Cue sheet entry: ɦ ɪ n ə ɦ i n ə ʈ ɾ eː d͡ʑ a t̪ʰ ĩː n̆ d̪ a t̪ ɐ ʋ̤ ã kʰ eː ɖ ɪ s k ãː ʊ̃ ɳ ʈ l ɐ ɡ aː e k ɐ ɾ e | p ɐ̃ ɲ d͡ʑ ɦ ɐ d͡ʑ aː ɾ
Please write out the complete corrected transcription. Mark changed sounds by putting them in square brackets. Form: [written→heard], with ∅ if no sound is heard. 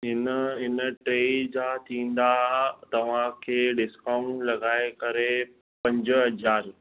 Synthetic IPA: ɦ ɪ n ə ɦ [i→ɪ] n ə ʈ ɾ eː d͡ʑ a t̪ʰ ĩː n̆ d̪ a t̪ ɐ ʋ̤ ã kʰ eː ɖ ɪ s k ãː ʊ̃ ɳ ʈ l ɐ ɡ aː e k ɐ ɾ e | p ɐ̃ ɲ d͡ʑ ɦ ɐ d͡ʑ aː ɾ